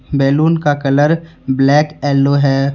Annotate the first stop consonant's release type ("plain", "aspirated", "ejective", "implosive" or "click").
plain